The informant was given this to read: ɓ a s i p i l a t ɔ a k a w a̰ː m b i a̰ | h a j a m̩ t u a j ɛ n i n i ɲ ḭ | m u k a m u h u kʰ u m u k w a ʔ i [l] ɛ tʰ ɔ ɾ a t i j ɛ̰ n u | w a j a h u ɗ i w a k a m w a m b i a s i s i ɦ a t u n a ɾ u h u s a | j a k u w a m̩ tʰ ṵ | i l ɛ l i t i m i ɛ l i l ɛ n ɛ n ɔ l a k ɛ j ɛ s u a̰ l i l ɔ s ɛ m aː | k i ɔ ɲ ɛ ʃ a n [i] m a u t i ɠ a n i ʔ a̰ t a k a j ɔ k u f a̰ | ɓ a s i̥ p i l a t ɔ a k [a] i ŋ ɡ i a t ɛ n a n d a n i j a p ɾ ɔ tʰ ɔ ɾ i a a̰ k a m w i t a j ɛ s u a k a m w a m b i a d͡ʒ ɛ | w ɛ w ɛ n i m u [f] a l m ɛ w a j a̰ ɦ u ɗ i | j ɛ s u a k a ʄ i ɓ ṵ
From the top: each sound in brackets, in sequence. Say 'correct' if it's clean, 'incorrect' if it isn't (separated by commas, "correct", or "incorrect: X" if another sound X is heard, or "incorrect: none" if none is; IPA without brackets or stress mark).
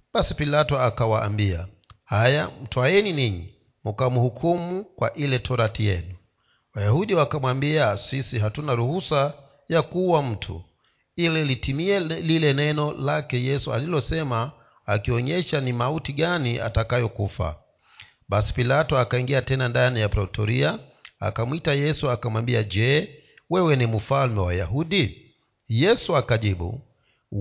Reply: correct, correct, correct, correct